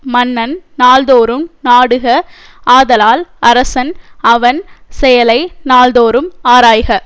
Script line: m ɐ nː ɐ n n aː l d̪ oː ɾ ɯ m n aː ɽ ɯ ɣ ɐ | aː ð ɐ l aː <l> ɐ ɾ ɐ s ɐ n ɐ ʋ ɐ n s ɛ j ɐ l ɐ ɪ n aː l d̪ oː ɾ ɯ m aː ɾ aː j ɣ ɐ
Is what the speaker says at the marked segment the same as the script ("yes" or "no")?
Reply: yes